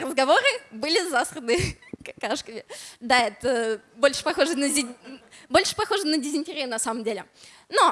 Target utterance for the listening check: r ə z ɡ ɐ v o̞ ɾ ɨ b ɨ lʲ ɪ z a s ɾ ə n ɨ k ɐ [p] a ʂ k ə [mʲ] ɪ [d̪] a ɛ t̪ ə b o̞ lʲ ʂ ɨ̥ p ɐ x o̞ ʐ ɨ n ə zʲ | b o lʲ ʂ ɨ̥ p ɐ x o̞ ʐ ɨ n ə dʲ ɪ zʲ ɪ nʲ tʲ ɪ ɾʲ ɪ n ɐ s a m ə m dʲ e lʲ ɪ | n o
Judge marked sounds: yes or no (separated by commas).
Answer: no, yes, yes